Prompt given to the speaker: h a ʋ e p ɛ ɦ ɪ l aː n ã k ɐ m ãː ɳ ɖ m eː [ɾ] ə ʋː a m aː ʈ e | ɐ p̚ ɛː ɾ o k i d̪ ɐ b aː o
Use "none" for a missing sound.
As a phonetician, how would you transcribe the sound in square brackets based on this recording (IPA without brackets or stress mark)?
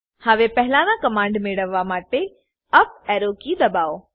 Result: ɽ